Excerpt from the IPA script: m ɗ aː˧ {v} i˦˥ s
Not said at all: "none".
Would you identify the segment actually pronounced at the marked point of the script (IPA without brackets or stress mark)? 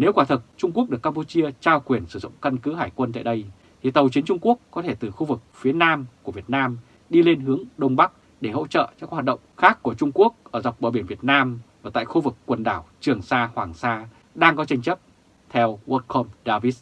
v